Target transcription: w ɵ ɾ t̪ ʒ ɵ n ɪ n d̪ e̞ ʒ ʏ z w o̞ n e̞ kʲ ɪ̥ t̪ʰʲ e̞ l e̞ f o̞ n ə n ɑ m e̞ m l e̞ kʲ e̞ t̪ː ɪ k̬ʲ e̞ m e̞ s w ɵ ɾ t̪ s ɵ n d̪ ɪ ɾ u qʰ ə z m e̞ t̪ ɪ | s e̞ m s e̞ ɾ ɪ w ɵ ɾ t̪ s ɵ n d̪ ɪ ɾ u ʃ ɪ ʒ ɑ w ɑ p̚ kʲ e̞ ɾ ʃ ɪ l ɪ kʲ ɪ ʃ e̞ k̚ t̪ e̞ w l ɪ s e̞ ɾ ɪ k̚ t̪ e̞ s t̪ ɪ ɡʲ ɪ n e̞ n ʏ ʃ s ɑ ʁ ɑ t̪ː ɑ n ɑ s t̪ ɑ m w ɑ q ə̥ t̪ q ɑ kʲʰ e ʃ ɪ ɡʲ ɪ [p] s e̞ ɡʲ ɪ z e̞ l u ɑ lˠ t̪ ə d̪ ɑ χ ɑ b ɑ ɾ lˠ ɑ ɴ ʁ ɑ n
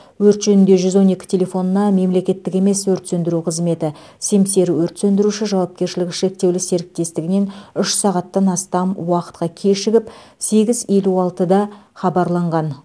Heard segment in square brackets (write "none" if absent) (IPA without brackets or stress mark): p